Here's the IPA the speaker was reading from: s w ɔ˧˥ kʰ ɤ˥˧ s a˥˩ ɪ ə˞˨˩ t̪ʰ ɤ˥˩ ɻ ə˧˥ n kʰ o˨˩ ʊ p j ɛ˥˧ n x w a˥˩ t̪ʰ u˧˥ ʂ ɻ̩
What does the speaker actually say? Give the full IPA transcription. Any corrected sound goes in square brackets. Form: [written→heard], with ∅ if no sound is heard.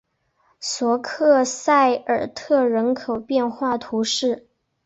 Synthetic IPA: s w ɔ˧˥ kʰ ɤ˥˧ s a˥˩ ɪ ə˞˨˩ t̪ʰ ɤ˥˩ ɻ ə˧˥ n kʰ o˨˩ ʊ p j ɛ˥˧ n x w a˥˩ t̪ʰ u˧˥ ʂ ɻ̩